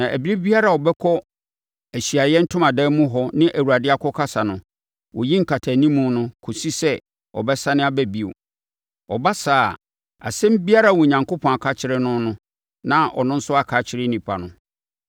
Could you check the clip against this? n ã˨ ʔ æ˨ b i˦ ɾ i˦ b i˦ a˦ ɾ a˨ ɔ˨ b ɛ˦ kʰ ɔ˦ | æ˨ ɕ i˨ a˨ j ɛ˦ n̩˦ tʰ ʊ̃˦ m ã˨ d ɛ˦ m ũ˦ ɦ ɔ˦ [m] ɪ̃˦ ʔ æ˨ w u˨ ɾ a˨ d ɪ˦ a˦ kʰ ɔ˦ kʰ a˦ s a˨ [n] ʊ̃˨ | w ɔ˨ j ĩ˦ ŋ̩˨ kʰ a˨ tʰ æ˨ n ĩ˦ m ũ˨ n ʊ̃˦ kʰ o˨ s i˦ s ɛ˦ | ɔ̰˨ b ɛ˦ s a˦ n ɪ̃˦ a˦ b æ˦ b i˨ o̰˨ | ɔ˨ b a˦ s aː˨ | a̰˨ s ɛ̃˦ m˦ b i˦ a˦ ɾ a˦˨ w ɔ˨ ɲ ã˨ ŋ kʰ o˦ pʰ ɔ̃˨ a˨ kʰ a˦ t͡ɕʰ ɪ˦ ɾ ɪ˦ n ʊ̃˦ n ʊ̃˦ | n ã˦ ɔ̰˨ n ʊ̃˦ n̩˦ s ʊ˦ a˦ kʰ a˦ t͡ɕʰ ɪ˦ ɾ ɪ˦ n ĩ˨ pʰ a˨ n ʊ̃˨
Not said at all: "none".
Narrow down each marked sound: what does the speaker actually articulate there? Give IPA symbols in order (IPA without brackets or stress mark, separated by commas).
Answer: n, n